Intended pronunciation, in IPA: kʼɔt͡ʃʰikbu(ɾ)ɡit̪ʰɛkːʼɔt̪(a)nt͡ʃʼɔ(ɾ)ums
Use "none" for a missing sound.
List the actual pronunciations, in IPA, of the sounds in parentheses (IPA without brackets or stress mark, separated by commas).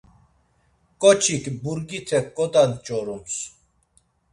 ɾ, a, ɾ